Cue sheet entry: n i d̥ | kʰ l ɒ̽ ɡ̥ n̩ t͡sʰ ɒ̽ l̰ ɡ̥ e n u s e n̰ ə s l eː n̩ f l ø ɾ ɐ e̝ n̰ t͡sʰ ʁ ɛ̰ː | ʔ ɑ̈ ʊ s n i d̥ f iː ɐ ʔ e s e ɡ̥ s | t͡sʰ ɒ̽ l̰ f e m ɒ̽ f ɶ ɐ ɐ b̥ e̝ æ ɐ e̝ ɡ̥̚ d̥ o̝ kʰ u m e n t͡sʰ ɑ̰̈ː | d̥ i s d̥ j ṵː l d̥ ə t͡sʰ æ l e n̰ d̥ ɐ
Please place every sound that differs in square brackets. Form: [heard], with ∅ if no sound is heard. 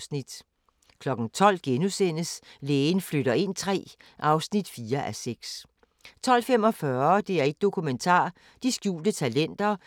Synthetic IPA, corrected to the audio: n i d̥ | kʰ l ɒ̽ ɡ̥ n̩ t͡sʰ ɒ̽ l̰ ɡ̥ e n u s e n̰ ə s l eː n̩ f l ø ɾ ɐ e̝ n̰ t͡sʰ ʁ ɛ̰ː | ʔ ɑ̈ ʊ s n i d̥ f iː ɐ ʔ [æ] s e ɡ̥ s | t͡sʰ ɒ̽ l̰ f e m ɒ̽ f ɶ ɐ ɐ [d̥] e̝ æ ɐ e̝ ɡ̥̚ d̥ o̝ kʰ u m e n t͡sʰ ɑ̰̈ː | d̥ i s [ɡ̥] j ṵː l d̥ ə t͡sʰ æ l e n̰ d̥ ɐ